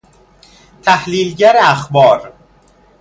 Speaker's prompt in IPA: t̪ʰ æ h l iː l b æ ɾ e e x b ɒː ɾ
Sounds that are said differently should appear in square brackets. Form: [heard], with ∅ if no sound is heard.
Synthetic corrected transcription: t̪ʰ æ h l iː l [ɟ] æ ɾ e [æ] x b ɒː ɾ